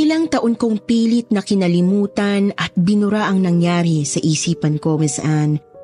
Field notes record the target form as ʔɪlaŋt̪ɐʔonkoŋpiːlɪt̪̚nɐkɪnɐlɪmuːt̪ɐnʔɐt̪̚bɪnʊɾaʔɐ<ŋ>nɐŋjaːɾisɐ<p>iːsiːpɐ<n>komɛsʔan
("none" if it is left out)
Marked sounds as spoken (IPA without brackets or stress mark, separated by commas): ŋ, ʔ, n